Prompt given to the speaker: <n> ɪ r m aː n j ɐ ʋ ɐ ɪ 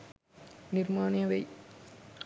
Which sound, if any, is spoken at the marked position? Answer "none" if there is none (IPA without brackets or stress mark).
n